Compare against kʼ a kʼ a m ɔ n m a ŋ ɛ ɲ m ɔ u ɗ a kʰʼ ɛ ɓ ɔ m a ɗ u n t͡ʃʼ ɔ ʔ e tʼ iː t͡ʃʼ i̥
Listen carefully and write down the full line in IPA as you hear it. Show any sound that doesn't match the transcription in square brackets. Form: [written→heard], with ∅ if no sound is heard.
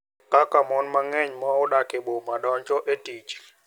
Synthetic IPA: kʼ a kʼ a m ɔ n m a ŋ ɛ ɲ m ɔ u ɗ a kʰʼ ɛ ɓ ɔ m a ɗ [u→ɔ] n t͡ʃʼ ɔ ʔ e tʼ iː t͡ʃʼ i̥